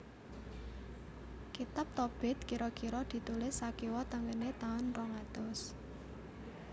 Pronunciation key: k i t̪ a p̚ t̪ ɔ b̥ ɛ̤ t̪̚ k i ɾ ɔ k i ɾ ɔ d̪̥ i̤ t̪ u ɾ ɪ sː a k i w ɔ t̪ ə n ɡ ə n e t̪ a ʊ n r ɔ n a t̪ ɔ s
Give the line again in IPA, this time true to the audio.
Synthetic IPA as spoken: k i t̪ a p̚ t̪ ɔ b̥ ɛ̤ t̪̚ k i ɾ ɔ k i ɾ ɔ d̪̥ i̤ t̪ u l ɪ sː a k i w ɔ t̪ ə ŋ ɡ ə n e t̪ a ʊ n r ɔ ŋ a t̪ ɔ s